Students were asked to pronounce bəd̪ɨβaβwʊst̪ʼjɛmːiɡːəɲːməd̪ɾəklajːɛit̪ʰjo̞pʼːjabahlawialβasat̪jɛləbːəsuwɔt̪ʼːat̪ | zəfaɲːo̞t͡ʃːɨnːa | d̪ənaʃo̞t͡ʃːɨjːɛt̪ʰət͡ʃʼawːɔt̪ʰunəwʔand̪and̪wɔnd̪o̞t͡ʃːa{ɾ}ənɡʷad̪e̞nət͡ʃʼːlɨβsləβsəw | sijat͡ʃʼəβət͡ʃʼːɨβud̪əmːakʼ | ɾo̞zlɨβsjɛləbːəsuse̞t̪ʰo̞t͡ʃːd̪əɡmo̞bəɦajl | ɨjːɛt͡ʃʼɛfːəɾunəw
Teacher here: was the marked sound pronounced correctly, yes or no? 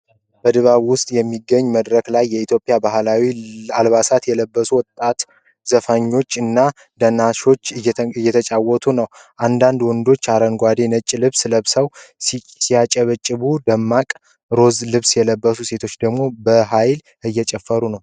yes